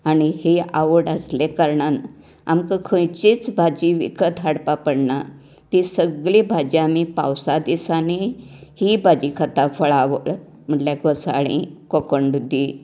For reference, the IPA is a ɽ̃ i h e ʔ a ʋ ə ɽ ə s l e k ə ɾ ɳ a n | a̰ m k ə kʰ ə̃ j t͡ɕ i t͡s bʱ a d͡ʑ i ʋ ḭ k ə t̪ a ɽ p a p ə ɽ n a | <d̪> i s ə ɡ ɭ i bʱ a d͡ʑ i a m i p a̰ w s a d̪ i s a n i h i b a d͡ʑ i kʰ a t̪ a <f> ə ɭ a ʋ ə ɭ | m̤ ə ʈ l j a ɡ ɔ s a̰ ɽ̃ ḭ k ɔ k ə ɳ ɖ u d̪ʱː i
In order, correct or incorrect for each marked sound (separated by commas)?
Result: incorrect, correct